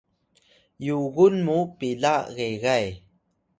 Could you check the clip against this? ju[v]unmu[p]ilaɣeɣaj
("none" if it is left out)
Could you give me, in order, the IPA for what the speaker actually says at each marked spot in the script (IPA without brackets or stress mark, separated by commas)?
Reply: ɣ, p